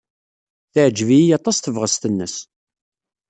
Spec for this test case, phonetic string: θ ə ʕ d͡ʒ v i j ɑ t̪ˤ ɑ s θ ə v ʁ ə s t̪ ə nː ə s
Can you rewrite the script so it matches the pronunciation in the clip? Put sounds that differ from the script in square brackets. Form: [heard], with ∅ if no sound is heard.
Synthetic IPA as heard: θ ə ʕ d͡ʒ v i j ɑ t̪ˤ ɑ s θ ə v ʁ ə s t̪ ə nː ə s